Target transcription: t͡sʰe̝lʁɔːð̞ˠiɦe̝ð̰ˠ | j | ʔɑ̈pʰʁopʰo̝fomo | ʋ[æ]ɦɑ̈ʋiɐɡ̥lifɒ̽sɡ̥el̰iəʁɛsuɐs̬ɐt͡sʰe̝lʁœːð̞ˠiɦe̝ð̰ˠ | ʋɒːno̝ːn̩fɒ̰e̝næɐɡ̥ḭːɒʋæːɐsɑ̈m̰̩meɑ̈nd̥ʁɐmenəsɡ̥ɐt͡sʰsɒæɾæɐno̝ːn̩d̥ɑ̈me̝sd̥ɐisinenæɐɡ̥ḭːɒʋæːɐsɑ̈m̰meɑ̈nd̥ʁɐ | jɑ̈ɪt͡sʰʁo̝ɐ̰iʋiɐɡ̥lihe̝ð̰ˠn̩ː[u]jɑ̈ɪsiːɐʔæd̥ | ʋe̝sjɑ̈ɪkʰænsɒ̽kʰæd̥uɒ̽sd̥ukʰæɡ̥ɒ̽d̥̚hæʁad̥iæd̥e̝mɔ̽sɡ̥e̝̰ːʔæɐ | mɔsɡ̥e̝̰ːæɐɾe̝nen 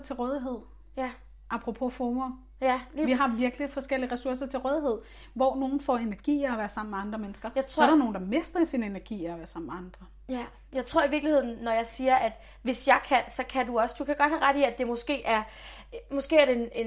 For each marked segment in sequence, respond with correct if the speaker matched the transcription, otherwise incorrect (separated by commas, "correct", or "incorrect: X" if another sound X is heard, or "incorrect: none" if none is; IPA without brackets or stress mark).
incorrect: i, incorrect: ɒ